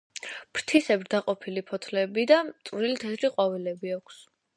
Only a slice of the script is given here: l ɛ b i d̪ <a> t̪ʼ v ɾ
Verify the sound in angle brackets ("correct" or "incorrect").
correct